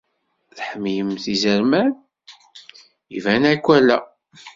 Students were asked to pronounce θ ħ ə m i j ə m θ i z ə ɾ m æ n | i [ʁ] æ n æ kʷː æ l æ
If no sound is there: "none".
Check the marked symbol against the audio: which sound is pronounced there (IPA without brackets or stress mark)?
v